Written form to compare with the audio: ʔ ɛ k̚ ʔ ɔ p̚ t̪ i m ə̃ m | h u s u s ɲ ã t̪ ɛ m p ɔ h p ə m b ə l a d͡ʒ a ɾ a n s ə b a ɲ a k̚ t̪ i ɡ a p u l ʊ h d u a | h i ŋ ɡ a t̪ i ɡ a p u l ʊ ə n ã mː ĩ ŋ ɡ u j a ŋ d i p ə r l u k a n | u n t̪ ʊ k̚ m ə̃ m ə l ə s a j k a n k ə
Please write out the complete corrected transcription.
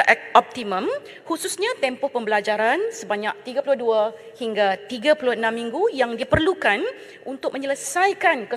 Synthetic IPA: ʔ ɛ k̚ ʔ ɔ p̚ t̪ i m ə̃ m | h u s u s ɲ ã t̪ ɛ m p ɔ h p ə m b ə l a d͡ʒ a ɾ a n s ə b a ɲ a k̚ t̪ i ɡ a p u l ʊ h d u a | h i ŋ ɡ a t̪ i ɡ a p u l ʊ ə n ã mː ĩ ŋ ɡ u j a ŋ d i p ə r l u k a n | u n t̪ ʊ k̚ m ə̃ ɲ ə l ə s a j k a n k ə